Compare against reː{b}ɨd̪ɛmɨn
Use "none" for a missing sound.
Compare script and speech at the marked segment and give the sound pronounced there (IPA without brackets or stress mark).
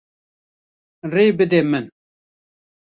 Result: b